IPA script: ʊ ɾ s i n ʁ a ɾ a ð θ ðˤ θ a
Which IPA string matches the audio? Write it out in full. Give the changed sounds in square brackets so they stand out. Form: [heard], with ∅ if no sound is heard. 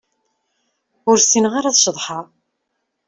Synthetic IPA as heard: ʊ ɾ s i n ʁ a ɾ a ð [ʃ] ðˤ [ħ] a